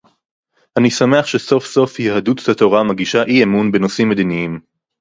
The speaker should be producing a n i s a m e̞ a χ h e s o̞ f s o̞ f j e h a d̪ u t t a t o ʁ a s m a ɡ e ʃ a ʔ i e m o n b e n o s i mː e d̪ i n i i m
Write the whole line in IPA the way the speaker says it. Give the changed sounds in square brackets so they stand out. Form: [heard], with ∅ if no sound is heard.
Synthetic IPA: a n i s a m e̞ a χ [ʃ] e s o̞ f s o̞ f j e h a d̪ u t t a t o ʁ a [∅] m a ɡ [i] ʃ a ʔ i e m [u] n b e n o s i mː e d̪ i n i i m

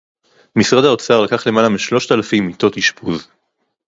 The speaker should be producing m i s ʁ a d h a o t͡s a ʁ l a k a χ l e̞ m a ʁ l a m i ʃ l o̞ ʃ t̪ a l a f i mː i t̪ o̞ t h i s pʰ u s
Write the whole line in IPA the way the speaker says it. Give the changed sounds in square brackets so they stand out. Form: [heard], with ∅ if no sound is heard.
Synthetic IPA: m i s ʁ a d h a o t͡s a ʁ l a k a χ l e̞ m a [∅] l a m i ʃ l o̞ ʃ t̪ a l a f i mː i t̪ o̞ t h i [ʃ] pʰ u [z]

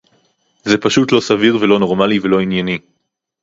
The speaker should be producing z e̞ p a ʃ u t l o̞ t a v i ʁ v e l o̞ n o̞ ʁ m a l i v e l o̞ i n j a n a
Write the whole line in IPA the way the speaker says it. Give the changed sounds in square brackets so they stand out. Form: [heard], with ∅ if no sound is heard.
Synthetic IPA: z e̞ p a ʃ u t l o̞ [s] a v i ʁ v e l o̞ n o̞ ʁ m a l i v e l o̞ i n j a n [i]

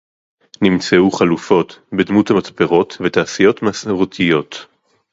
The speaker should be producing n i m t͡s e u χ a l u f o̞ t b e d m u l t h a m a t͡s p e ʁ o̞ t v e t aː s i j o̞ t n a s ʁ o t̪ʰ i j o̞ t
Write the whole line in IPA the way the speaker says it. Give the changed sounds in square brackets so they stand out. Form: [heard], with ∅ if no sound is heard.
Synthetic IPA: n i m t͡s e u χ a l u f o̞ t b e d m u [∅] t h a m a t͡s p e ʁ o̞ t v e t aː s i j o̞ t [m] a s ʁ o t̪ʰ i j o̞ t

